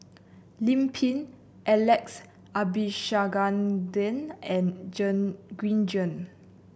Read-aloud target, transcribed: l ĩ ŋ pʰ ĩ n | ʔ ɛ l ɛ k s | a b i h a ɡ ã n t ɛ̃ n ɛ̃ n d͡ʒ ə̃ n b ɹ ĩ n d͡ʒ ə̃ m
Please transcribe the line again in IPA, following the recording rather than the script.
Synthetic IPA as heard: l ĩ m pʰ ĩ n | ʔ ɛ l ɛ k s | a b i ʃ a ɡ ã n d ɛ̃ n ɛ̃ n d͡ʒ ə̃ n ɡ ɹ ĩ n d͡ʒ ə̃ n